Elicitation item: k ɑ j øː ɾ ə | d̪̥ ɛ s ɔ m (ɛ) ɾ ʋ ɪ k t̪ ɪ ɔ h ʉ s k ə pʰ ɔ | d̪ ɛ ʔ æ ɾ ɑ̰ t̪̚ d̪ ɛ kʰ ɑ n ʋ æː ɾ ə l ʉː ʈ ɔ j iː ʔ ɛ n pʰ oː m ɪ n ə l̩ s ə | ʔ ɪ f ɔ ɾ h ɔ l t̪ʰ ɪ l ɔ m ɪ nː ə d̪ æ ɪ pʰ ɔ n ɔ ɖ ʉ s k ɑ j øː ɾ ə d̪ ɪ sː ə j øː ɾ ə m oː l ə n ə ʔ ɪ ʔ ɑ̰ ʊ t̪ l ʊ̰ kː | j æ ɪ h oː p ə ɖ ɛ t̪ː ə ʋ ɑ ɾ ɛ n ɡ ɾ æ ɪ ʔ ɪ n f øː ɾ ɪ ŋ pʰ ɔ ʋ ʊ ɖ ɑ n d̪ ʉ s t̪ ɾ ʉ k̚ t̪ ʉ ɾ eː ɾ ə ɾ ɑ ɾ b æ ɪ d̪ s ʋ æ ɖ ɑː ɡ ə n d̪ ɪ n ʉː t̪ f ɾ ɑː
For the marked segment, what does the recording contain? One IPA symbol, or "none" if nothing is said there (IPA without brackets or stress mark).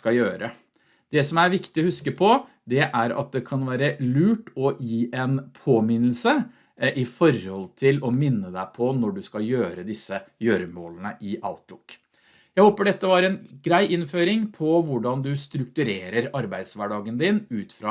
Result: æ